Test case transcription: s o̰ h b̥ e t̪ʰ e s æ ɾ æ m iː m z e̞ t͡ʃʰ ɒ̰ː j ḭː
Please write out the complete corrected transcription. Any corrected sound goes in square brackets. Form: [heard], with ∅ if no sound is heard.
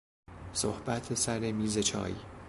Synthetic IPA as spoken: s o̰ h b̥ [æ] t̪ʰ e s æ ɾ [e] m iː [∅] z e̞ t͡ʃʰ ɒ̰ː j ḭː